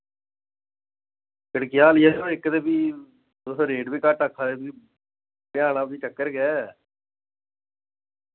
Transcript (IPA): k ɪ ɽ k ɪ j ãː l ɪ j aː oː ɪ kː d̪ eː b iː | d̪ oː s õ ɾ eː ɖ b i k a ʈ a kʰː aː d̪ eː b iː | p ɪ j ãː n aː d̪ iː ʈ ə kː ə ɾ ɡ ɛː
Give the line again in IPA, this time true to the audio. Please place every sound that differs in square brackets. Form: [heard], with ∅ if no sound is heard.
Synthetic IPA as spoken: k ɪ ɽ k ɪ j [aː] l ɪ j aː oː ɪ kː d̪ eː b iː | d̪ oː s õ ɾ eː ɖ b [iː] k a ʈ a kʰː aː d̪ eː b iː | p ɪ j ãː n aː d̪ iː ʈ ə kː ə ɾ ɡ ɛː